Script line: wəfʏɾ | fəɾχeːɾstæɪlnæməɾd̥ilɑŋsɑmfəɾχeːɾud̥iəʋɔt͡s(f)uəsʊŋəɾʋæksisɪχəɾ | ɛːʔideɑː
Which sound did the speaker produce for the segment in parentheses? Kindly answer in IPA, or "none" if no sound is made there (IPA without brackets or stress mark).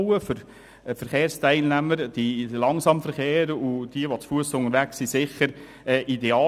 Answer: f